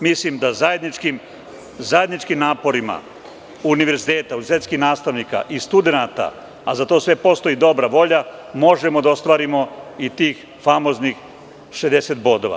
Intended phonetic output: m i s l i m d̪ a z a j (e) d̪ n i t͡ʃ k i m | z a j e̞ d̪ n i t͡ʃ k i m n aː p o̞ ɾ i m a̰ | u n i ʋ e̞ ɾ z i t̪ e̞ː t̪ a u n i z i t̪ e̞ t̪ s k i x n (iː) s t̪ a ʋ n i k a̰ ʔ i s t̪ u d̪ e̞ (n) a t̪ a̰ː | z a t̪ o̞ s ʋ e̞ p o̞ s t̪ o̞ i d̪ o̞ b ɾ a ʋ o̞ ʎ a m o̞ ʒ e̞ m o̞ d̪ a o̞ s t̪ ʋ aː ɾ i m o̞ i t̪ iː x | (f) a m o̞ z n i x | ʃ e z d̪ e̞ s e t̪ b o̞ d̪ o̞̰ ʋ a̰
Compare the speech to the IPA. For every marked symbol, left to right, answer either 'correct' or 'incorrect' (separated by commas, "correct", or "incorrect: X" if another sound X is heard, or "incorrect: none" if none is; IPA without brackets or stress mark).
correct, incorrect: aː, correct, correct